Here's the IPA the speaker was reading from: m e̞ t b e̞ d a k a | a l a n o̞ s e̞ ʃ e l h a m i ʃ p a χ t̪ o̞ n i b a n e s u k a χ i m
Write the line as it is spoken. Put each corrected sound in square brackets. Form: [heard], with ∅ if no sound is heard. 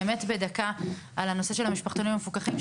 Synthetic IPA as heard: m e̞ t b e̞ d a k a | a l a n o̞ s e̞ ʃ e l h a m i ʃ p a χ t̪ o̞ n i [m] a [m] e [f] u k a χ i m